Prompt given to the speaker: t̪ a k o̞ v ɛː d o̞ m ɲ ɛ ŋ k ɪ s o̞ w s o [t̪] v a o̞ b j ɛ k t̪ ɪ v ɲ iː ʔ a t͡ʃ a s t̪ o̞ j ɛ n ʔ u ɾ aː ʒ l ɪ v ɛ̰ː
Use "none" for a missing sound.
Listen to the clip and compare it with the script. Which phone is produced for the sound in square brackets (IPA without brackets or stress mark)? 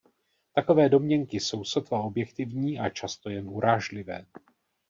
t̪